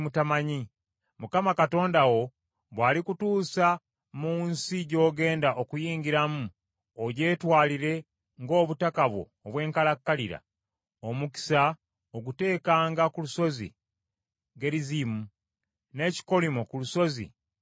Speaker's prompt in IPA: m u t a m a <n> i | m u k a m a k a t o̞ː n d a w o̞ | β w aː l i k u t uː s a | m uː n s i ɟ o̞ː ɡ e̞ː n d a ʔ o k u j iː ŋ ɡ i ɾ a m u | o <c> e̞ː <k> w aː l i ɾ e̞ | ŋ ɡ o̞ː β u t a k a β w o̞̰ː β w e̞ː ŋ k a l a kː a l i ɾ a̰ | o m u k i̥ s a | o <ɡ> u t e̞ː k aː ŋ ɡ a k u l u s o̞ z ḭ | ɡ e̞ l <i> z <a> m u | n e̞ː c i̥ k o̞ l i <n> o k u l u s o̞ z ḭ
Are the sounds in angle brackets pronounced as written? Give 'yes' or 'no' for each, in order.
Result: no, no, no, yes, yes, no, no

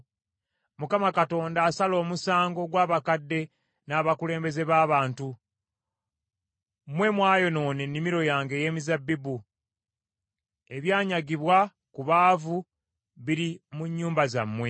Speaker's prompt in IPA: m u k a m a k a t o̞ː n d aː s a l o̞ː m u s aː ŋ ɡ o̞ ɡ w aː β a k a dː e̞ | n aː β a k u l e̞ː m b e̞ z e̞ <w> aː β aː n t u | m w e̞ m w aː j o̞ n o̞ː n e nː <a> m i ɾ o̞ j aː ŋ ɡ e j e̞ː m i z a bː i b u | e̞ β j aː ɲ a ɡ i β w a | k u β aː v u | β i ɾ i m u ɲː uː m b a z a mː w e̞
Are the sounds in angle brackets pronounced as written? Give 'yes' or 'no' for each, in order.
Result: no, no

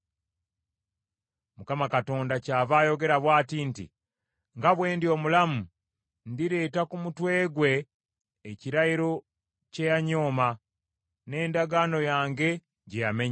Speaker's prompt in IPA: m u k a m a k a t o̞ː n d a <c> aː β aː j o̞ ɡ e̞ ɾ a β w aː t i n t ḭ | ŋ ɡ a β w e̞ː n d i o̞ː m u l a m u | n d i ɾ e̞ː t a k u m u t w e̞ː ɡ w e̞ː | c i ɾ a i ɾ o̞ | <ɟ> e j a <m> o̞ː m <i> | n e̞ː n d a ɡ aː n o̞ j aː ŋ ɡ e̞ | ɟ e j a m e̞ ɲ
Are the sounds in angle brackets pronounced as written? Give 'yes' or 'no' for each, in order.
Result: yes, no, no, no

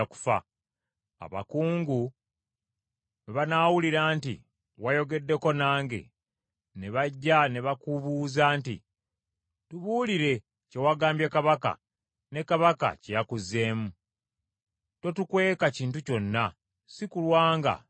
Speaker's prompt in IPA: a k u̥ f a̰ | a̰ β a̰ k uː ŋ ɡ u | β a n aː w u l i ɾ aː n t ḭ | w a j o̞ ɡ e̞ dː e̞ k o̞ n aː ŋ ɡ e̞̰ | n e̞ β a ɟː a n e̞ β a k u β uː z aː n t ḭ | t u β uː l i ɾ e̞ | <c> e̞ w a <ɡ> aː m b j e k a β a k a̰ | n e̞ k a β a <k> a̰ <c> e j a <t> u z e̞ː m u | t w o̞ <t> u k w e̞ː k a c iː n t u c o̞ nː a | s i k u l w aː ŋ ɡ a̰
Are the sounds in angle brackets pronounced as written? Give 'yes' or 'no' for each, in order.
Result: yes, yes, yes, yes, no, yes

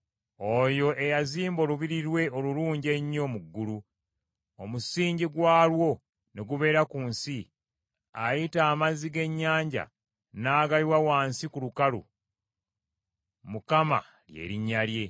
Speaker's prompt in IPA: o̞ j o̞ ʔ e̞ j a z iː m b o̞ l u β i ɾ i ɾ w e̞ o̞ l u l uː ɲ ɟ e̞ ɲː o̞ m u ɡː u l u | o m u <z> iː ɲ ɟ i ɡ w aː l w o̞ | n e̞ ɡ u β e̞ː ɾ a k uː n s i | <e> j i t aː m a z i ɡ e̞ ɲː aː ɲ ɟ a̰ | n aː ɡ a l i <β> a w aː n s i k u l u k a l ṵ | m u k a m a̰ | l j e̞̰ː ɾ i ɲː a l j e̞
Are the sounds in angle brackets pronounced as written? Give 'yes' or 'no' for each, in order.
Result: no, no, no

